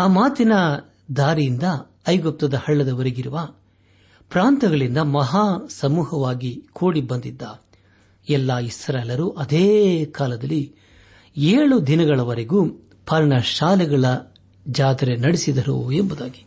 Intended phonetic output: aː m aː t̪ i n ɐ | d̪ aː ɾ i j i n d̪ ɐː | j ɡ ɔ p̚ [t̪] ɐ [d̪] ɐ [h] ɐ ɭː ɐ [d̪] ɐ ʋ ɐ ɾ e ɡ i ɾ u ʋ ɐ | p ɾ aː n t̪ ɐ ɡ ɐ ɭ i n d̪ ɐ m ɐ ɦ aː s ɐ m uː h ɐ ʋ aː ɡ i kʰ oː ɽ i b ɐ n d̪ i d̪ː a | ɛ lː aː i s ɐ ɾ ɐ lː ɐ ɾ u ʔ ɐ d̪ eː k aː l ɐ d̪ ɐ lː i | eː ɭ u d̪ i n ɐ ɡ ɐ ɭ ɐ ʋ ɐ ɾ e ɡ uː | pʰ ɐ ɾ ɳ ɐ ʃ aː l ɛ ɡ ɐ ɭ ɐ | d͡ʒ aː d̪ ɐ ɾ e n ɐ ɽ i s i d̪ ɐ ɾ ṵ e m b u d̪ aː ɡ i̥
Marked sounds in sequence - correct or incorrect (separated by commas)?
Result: correct, correct, correct, correct